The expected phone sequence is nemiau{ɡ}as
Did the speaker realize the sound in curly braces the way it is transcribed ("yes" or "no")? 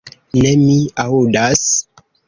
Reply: no